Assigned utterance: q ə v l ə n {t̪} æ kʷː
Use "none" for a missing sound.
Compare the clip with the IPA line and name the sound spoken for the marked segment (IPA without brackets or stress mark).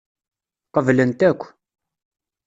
t̪